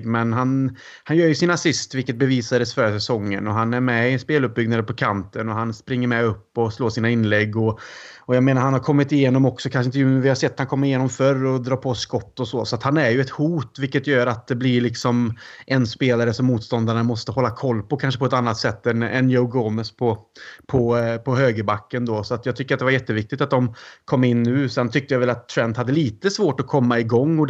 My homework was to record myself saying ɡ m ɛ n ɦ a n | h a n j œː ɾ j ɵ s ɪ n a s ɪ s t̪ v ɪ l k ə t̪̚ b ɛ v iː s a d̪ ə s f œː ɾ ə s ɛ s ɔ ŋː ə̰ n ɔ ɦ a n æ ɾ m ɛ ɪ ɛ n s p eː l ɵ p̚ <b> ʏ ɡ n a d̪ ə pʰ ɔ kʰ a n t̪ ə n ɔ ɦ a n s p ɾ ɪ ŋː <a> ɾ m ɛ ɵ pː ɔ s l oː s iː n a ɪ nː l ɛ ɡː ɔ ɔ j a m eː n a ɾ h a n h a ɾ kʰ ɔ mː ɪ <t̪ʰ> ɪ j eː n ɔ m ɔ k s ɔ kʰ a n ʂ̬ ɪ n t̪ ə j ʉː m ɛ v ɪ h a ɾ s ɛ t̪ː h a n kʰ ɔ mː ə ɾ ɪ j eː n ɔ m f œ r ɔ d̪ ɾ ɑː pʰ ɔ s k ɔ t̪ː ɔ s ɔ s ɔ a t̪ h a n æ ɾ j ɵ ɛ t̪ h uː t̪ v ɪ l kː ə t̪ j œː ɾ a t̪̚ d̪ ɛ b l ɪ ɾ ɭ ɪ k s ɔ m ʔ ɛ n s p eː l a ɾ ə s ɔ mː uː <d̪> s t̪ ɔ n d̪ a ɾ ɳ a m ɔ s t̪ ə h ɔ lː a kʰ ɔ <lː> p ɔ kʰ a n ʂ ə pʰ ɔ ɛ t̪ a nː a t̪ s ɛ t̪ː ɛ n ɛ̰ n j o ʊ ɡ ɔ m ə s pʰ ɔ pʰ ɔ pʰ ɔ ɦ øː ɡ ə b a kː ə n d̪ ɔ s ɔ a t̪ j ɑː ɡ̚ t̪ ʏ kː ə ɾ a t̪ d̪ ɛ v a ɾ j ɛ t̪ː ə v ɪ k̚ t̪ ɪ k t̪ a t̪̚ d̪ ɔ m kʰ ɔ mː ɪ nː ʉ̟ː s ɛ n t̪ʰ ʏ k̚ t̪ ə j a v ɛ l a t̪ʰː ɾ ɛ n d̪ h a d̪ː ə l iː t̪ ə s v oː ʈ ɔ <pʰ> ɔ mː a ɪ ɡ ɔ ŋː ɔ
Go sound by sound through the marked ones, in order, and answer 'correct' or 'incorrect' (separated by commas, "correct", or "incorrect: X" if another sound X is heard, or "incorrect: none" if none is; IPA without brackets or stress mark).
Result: correct, incorrect: ə, incorrect: t̪, incorrect: t̪, correct, incorrect: kʰ